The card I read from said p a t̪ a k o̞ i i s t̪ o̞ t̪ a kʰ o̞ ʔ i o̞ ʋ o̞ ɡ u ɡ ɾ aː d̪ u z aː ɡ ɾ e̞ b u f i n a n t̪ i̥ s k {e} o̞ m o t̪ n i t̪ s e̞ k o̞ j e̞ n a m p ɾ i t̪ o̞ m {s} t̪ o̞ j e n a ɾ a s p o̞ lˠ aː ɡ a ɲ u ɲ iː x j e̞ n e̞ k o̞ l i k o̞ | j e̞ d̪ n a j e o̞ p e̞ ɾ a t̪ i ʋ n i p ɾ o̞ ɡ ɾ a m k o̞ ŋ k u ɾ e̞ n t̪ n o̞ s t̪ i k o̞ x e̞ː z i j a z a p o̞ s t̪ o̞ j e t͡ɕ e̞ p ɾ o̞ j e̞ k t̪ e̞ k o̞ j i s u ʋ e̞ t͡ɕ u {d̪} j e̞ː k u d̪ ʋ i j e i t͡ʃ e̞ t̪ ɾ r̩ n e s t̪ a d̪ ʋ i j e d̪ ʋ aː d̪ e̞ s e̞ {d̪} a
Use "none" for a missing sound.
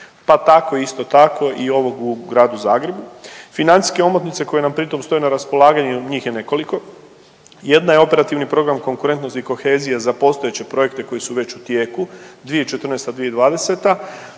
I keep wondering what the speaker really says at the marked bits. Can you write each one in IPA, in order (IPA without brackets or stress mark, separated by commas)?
e, s, t̪, t̪